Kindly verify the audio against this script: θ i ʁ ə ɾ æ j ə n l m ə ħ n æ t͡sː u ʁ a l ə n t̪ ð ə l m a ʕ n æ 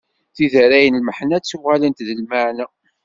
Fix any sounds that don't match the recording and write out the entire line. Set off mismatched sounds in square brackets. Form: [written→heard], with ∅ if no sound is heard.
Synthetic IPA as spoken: θ i [ʁ→ð] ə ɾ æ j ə n l m ə ħ n æ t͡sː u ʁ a l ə n t̪ ð ə l m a ʕ n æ